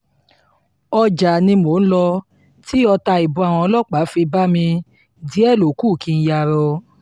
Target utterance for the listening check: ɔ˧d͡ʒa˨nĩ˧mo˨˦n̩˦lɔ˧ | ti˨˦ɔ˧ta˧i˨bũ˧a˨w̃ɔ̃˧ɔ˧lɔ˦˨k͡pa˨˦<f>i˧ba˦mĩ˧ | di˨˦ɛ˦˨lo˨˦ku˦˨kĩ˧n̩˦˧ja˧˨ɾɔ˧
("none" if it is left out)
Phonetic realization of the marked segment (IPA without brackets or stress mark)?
f